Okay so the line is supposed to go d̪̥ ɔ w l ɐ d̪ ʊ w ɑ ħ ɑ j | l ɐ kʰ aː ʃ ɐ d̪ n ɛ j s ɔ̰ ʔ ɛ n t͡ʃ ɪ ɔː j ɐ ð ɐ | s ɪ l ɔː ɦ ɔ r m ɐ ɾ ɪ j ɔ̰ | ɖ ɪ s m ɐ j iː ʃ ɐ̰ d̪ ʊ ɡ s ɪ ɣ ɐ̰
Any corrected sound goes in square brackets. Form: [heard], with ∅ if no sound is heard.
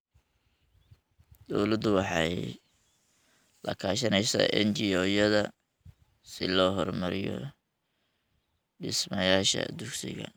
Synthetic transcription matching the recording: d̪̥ ɔ w l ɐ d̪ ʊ w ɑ ħ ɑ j | l ɐ kʰ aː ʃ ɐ [∅] n ɛ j s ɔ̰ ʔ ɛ n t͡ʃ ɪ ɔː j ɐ ð ɐ | s ɪ l ɔː ɦ ɔ r m ɐ ɾ ɪ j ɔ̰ | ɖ ɪ s m ɐ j [aː] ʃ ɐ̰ d̪ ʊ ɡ s ɪ ɣ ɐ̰